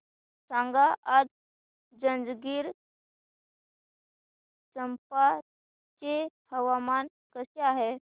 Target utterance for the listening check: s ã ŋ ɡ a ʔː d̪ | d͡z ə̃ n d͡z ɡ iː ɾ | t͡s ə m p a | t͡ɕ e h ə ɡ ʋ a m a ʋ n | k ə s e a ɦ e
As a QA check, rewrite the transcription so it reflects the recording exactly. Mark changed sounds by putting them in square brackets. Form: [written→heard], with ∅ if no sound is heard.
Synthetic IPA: s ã ŋ ɡ a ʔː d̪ | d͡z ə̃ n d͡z ɡ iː ɾ | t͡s ə m p a | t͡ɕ e h ə [ɡ→∅] ʋ a m a [ʋ→∅] n | k ə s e a ɦ e